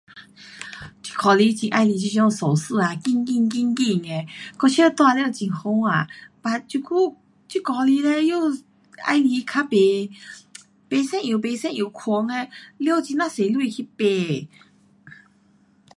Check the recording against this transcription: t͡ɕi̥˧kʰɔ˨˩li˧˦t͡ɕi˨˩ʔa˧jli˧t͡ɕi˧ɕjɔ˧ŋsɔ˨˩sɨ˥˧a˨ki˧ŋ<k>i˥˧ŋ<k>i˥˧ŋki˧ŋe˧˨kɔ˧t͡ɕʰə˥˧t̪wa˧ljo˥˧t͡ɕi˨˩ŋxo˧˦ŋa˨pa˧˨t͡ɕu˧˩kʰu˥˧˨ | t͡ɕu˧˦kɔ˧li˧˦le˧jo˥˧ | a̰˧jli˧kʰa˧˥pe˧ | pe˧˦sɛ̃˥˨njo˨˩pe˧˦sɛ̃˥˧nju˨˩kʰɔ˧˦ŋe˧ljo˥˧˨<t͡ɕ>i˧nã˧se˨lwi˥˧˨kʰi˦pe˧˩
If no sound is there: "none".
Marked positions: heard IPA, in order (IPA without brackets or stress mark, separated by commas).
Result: k, k, t͡ɕ